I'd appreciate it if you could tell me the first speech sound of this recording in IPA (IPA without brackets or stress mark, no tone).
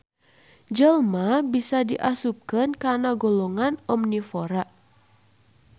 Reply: d͡ʒ